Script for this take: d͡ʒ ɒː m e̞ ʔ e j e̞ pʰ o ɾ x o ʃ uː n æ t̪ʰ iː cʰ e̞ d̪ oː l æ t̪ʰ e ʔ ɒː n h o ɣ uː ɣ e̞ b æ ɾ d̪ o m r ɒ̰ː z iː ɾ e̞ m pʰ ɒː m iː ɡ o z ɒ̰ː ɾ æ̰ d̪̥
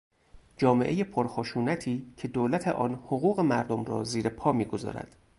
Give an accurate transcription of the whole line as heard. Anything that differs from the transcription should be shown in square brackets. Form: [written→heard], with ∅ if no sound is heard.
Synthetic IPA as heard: d͡ʒ ɒː m e̞ ʔ e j e̞ pʰ o ɾ x o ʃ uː n æ t̪ʰ iː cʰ e̞ d̪ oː l æ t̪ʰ e ʔ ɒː n h o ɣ uː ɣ e̞ [b→m] æ ɾ d̪ o m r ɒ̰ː z iː ɾ e̞ [m→∅] pʰ ɒː m iː ɡ o z ɒ̰ː ɾ æ̰ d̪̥